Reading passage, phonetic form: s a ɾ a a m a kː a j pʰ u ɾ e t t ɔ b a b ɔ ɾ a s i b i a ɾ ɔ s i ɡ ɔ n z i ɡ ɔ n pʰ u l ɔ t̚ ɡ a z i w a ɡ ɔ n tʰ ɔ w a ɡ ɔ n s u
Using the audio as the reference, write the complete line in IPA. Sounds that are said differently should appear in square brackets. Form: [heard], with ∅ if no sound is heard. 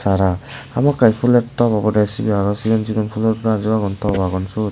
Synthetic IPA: s a ɾ a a m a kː a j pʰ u [l] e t t ɔ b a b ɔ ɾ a s i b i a ɾ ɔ s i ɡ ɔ n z i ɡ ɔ n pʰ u l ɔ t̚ ɡ a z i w a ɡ ɔ n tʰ ɔ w a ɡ ɔ n s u

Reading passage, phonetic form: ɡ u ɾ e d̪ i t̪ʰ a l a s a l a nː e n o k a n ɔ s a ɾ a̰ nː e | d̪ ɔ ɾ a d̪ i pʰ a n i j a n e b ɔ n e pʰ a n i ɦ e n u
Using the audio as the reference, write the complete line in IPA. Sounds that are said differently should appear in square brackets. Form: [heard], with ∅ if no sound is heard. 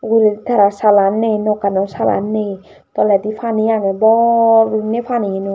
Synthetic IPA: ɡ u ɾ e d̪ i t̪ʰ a [ɾ] a s a l a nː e n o k a n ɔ s a [l] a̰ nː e | [t̪] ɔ [l] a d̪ i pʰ a n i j a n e b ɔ n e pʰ a n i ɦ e n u

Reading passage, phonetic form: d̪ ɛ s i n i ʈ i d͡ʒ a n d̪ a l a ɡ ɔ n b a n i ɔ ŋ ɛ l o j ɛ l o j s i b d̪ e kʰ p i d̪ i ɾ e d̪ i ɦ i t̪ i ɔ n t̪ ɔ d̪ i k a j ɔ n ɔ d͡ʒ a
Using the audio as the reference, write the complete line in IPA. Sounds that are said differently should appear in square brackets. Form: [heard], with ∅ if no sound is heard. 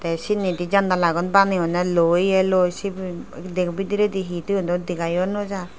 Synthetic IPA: [t̪] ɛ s i n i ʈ i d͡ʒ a n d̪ a l a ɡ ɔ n b a n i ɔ [n] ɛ l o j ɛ l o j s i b d̪ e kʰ [b] i d̪ i ɾ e d̪ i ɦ i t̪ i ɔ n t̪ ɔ d̪ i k a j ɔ n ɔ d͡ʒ a

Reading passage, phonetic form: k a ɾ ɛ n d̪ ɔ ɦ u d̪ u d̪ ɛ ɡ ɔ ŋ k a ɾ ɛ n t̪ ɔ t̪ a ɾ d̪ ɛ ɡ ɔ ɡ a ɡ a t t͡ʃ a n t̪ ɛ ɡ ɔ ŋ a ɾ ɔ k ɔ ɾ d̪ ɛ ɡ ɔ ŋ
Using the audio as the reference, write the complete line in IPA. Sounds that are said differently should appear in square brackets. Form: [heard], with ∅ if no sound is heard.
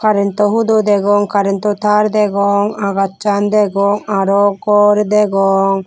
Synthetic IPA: k a ɾ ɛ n [t̪] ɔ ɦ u d̪ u d̪ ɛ ɡ ɔ ŋ k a ɾ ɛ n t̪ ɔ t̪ a ɾ d̪ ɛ ɡ ɔ [ŋ] a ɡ a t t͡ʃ a n [d̪] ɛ ɡ ɔ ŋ a ɾ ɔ k ɔ ɾ d̪ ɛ ɡ ɔ ŋ

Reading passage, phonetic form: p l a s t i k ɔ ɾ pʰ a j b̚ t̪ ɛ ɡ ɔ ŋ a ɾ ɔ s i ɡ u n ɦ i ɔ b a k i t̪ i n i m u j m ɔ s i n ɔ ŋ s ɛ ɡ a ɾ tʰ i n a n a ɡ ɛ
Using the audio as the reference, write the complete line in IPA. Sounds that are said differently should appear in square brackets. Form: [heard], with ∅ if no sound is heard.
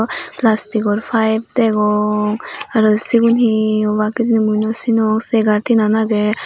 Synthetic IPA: p l a s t i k ɔ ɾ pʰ a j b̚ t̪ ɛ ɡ ɔ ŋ a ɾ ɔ s i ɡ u n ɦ i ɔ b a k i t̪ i n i m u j [n] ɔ s i n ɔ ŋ s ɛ ɡ a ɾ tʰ i n a n a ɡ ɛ

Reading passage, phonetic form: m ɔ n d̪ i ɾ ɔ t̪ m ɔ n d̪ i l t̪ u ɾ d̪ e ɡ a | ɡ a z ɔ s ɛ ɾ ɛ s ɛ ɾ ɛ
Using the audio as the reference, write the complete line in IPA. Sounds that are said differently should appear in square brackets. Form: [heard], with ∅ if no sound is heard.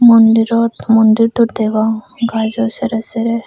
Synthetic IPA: m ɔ n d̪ i ɾ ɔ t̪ m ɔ n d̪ i [ɾ] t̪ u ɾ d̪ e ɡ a | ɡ a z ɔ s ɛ ɾ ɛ s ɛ ɾ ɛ

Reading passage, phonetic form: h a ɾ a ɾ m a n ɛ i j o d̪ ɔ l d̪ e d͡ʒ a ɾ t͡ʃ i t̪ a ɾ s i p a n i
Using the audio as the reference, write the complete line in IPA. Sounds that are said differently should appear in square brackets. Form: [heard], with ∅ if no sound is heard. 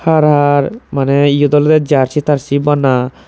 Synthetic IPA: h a ɾ a ɾ m a n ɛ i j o d̪ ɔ l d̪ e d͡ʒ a ɾ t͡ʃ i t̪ a ɾ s i [b] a n [a]

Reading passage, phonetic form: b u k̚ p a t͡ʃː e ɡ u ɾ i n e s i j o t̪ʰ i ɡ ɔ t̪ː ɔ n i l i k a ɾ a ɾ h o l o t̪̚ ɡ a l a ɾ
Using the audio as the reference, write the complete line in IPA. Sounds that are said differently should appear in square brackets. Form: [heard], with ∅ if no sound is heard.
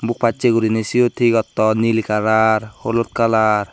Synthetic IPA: b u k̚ p a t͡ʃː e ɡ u ɾ i n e s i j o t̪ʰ i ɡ ɔ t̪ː ɔ n i l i k a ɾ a ɾ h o l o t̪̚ [k] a l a ɾ

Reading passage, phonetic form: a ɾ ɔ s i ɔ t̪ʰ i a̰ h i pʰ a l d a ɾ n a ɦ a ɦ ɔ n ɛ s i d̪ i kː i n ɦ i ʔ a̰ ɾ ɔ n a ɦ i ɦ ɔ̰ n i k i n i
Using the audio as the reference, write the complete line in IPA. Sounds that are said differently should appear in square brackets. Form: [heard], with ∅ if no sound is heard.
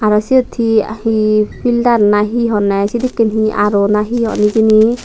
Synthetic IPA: a ɾ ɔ s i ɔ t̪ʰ i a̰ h i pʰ [i] l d a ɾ n a ɦ [i] ɦ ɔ n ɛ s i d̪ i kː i n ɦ i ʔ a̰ ɾ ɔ n a ɦ i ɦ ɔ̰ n i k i n i

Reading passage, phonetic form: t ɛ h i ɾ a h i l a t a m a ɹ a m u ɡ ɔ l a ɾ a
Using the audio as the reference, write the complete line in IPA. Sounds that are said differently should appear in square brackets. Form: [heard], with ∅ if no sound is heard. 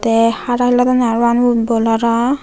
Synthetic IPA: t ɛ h [a] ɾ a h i l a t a [n] a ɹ a [n] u [b] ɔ l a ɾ a

